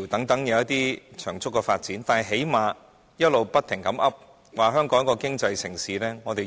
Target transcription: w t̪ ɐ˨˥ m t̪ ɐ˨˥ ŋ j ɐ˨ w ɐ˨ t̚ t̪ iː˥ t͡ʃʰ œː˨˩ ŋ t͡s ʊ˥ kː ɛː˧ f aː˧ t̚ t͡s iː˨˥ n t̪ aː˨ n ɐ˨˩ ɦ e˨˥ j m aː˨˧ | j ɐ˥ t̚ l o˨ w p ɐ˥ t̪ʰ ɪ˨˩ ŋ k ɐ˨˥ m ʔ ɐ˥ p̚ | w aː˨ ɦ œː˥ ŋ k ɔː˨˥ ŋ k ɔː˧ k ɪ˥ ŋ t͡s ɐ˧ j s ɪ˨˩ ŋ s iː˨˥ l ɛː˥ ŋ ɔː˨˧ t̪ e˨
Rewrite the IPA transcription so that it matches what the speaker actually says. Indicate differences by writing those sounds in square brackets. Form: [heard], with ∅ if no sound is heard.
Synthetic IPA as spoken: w t̪ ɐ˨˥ [ŋ] t̪ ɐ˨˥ ŋ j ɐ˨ w [ɐ˥] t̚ t̪ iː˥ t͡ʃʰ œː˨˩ ŋ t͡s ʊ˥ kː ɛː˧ f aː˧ t̚ t͡s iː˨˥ n t̪ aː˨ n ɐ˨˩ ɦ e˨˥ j m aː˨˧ | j ɐ˥ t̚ l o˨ w p ɐ˥ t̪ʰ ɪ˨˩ ŋ k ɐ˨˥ m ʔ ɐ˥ p̚ | w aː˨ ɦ œː˥ ŋ k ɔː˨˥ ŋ k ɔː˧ k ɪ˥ ŋ t͡s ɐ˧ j s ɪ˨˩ ŋ s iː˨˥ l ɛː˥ ŋ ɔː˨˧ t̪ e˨

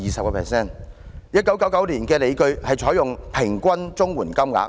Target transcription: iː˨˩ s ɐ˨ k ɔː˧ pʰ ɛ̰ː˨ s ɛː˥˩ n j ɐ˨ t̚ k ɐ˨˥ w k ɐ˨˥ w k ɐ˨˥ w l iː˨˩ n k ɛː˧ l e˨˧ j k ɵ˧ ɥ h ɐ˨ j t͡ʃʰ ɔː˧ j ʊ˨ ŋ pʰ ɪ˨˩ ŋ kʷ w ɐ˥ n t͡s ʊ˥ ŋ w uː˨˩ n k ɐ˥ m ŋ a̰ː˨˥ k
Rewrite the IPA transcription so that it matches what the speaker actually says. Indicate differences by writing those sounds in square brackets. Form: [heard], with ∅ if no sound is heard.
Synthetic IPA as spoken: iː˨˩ s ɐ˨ k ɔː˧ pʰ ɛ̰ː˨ s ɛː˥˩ n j [ɐ˥] t̚ k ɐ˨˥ w k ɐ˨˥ w k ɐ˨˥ w l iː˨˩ n k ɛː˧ l e˨˧ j k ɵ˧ ɥ h ɐ˨ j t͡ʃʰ [ɔː˨˥] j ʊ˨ ŋ pʰ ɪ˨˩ ŋ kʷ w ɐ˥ n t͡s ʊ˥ ŋ w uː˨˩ n k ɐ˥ m ŋ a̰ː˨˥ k

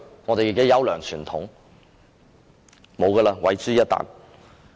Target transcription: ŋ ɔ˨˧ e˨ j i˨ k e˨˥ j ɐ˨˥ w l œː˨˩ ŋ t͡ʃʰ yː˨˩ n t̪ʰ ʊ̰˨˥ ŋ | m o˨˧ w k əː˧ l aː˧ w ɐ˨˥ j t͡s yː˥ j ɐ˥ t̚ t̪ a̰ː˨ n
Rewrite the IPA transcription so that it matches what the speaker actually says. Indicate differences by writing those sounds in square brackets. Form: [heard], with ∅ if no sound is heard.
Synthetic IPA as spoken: ŋ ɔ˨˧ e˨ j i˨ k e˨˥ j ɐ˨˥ w l œː˨˩ ŋ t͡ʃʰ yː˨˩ n t̪ʰ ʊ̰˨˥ ŋ | m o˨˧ w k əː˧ l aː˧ w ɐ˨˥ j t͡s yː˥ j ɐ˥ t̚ t̪ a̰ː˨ n

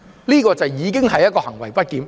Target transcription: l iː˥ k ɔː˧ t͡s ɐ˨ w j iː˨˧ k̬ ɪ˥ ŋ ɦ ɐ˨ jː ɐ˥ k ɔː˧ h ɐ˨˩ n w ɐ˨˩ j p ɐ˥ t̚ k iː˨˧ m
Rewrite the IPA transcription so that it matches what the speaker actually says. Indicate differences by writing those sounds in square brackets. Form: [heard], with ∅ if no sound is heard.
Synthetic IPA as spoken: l iː˥ k ɔː˧ t͡s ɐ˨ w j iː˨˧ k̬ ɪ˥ ŋ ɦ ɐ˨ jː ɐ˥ k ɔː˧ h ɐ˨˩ [ŋ] w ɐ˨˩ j p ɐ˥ t̚ k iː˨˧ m

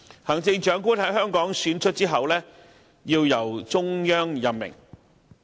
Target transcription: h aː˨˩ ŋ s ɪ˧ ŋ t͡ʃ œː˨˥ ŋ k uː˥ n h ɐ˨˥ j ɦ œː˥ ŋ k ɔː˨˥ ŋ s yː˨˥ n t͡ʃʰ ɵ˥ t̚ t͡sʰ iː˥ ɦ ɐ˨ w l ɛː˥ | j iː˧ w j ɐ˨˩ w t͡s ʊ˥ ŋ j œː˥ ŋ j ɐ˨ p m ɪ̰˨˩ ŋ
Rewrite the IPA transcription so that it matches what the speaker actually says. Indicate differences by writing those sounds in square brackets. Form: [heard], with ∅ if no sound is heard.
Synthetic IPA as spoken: h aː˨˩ ŋ [t͡s] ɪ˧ ŋ t͡ʃ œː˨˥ ŋ k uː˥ n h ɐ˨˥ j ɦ œː˥ ŋ k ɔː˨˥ ŋ s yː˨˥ n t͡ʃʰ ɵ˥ t̚ [t͡s] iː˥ ɦ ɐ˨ w l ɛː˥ | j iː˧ w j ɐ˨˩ w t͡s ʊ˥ ŋ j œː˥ ŋ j ɐ˨ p m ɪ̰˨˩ ŋ

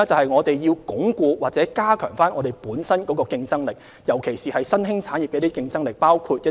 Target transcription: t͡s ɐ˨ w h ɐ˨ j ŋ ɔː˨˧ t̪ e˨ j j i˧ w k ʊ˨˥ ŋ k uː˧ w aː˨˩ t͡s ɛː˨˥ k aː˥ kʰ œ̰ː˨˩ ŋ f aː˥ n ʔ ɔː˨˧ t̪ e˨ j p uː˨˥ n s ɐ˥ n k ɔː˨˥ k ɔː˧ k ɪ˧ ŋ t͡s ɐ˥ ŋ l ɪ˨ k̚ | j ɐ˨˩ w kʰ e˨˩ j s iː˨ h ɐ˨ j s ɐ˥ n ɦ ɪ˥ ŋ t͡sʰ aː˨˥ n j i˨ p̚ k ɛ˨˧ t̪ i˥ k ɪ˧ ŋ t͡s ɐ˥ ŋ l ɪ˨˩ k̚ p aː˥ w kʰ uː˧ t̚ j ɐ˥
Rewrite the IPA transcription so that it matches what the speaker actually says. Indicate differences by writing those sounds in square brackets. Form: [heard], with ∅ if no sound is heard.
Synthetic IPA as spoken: t͡s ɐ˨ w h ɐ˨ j ŋ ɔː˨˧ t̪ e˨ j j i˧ w k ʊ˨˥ ŋ k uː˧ w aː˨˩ t͡s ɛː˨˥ k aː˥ kʰ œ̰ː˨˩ ŋ f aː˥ n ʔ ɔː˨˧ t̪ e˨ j p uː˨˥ n s ɐ˥ n k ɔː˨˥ k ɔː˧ k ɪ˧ ŋ t͡s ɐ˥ ŋ l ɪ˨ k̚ | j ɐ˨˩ w kʰ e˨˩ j s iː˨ h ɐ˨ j s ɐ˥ n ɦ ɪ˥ ŋ t͡sʰ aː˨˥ n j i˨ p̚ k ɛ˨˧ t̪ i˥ k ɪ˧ ŋ t͡s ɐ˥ ŋ l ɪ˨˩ k̚ p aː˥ w kʰ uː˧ t̚ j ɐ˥

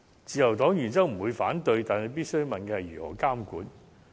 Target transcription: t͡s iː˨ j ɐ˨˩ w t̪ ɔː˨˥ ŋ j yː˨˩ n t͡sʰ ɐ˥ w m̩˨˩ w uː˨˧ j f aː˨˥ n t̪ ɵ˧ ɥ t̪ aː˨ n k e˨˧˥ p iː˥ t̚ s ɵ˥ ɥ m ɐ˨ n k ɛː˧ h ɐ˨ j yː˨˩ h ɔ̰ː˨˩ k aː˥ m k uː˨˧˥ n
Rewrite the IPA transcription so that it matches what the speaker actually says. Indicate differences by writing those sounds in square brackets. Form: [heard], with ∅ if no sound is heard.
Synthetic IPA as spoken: t͡s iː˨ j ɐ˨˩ w t̪ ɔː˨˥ ŋ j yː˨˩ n [t͡s] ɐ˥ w m̩˨˩ w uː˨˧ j f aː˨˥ n t̪ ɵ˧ ɥ t̪ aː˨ n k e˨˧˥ p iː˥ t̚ s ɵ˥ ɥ m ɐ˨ n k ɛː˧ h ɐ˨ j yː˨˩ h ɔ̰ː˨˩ k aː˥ m k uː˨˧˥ n

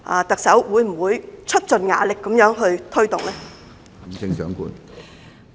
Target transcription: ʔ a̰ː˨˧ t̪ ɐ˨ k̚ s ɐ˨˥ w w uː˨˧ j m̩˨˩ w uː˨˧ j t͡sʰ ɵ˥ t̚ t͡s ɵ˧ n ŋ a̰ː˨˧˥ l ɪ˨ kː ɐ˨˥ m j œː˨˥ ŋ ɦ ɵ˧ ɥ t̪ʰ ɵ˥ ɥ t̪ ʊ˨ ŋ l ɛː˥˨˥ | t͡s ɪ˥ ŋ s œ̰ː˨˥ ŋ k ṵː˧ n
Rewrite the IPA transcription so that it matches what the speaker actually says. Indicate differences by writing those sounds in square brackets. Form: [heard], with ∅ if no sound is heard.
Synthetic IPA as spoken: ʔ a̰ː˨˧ t̪ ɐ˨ k̚ s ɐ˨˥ w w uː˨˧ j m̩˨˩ w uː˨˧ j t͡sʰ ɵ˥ t̚ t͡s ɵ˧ n ŋ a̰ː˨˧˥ l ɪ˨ kː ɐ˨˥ m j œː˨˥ ŋ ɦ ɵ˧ ɥ t̪ʰ ɵ˥ ɥ t̪ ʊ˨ ŋ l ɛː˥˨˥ | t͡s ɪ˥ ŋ s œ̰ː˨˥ ŋ k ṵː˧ n

